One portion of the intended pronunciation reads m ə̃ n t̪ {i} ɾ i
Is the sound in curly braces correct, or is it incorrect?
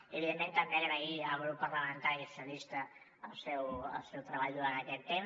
incorrect